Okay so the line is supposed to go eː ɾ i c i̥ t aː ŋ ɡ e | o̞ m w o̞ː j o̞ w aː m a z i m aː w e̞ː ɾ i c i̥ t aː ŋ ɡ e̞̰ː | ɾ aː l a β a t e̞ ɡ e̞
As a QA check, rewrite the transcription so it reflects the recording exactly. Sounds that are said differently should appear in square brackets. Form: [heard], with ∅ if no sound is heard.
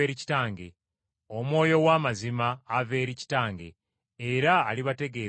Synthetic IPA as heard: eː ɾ i c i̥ t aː ŋ ɡ e | o̞ m w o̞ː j o̞ w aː m a z i m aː [v] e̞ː ɾ i c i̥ t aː ŋ ɡ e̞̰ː | ɾ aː l [i] β a t e̞ ɡ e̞